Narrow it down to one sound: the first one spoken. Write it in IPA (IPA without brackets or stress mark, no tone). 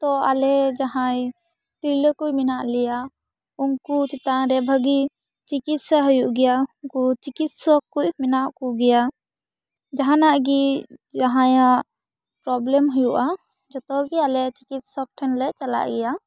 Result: t̪